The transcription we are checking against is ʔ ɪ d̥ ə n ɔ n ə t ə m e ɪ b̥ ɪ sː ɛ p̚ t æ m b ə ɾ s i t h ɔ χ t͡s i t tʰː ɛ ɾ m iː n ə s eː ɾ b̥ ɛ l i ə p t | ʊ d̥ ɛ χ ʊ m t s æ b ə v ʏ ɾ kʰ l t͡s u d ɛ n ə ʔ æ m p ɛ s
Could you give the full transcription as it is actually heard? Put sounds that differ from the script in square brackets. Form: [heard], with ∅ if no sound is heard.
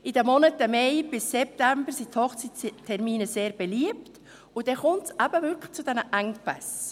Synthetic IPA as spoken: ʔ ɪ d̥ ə [m] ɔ n ə t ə m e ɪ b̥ ɪ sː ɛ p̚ t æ m b ə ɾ s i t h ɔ χ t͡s i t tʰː ɛ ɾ m iː n ə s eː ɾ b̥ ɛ l i ə p t | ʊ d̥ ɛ χ ʊ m t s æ b ə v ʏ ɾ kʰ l t͡s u d ɛ n ə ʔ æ [ŋ] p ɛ s